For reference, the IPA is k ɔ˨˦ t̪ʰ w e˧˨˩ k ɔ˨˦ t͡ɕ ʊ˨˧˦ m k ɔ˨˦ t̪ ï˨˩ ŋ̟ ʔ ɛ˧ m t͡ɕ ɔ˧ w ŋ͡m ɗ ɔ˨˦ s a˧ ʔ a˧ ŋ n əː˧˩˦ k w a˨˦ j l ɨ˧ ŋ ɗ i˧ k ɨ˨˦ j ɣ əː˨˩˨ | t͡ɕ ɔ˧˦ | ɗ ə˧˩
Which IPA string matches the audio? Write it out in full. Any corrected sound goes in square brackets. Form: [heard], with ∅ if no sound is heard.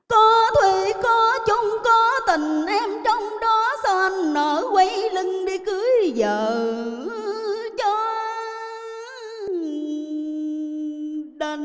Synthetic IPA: k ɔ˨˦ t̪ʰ w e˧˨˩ k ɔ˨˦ t͡ɕ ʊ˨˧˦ [ŋ͡m] k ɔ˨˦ t̪ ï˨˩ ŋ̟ ʔ ɛ˧ m t͡ɕ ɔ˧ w ŋ͡m ɗ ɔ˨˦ s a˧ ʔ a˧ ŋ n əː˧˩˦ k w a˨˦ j l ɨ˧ ŋ ɗ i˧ k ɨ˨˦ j [z] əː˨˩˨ | t͡ɕ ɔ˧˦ | ɗ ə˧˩